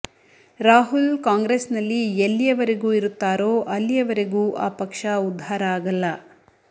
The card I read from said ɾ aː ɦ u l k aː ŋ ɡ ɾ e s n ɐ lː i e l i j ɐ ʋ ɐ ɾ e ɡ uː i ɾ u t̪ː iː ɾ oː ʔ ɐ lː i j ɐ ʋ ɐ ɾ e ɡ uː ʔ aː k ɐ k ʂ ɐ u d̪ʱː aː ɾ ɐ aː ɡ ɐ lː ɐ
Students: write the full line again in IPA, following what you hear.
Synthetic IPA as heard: ɾ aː ɦ u l k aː ŋ ɡ ɾ e s n ɐ lː i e lː i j ɐ ʋ ɐ ɾ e ɡ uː i ɾ u t̪ː aː ɾ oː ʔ ɐ lː i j ɐ ʋ ɐ ɾ e ɡ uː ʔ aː p ɐ k ʂ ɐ u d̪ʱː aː ɾ ɐ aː ɡ ɐ lː ɐ

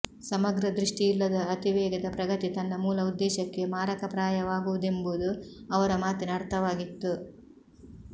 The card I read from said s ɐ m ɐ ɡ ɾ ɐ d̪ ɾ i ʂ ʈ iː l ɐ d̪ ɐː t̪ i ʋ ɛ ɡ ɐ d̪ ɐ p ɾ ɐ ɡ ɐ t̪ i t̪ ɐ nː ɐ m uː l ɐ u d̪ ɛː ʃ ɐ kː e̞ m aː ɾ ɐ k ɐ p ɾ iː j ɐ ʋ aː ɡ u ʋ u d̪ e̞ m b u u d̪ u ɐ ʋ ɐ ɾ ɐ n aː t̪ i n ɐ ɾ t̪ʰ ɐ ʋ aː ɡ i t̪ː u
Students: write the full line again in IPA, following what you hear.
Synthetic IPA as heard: s ɐ m ɐ ɡ ɾ ɐ d̪ ɾ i ʂ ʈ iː lː ɐ d̪ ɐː t̪ i ʋ ɛː ɡ ɐ d̪ ɐ p ɾ ɐ ɡ ɐ t̪ i t̪ ɐ nː ɐ m uː l ɐ u d̪ː ɛː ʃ ɐ kː e̞ m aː ɾ ɐ k ɐ p ɾ aː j ɐ ʋ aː ɡ u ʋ u d̪ e̞ m b u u d̪ u ɐ ʋ ɐ ɾ ɐ m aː t̪ i n ɐ ɾ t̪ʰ ɐ ʋ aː ɡ i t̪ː u

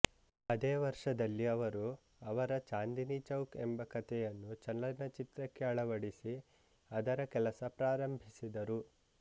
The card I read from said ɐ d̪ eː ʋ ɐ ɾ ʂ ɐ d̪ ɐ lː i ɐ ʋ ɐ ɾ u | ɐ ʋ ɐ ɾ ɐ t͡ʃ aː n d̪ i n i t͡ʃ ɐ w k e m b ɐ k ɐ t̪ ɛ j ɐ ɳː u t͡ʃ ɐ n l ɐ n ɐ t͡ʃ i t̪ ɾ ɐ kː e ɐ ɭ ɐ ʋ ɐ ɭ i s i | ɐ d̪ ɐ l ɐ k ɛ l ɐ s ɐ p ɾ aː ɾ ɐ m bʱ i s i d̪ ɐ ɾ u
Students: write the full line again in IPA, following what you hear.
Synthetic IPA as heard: ɐ d̪ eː ʋ ɐ ɾ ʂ ɐ d̪ ɐ lː i ɐ ʋ ɐ ɾ u | ɐ ʋ ɐ ɾ ɐ t͡ʃ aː n d̪ i n i t͡ʃ ɐ w k e m b ɐ k ɐ t̪ ɛ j ɐ nː u t͡ʃ ɐ n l ɐ n ɐ t͡ʃ i t̪ ɾ ɐ kː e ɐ ɭ ɐ ʋ ɐ ɽ i s i | ɐ d̪ ɐ ɾ ɐ k ɛ l ɐ s ɐ p ɾ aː ɾ ɐ m bʱ i s i d̪ ɐ ɾ u

